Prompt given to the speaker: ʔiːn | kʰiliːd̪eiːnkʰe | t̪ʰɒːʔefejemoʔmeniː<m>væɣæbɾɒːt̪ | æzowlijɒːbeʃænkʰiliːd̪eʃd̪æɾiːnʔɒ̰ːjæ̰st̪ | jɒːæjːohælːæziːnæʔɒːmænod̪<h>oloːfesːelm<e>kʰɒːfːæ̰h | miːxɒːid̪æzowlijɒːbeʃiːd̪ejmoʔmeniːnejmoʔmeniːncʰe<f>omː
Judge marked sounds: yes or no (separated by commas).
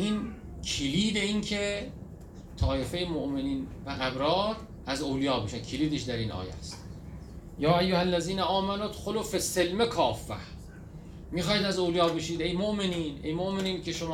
no, no, yes, no